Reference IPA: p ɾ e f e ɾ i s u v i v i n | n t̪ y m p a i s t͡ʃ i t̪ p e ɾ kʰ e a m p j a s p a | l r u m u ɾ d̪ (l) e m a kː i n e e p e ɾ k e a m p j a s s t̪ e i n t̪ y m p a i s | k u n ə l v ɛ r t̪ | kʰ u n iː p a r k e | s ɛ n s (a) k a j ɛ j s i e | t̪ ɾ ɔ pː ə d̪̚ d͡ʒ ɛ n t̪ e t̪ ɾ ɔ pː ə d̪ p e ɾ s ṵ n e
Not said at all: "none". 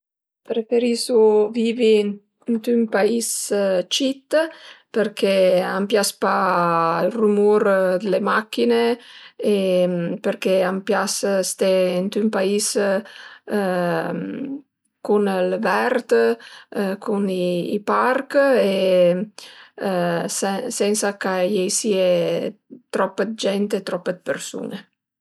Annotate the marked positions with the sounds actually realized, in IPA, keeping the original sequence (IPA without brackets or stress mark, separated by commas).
l, a